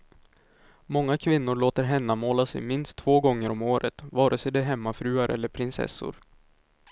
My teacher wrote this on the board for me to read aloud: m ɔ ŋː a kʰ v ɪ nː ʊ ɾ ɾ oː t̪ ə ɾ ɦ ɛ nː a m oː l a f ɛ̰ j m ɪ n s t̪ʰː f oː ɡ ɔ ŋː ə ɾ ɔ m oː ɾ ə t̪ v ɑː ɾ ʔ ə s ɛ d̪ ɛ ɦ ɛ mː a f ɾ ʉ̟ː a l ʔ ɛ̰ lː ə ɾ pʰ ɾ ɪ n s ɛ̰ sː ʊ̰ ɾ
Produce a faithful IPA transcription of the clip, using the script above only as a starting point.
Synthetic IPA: m ɔ ŋː a kʰ v ɪ nː ʊ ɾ ɭ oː t̪ ə ɾ ɦ ɛ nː a m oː l a s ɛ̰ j m ɪ n s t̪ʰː v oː ɡ ɔ ŋː ə ɾ ɔ m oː ɾ ə t̪ v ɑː ɾ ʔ ə s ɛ d̪ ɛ ɦ ɛ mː a f ɾ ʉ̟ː a ɾ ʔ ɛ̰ lː ə ɾ pʰ ɾ ɪ n s ɛ̰ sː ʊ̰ ɾ